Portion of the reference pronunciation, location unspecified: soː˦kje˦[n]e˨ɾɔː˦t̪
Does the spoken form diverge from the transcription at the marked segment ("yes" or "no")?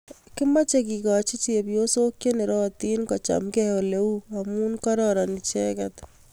no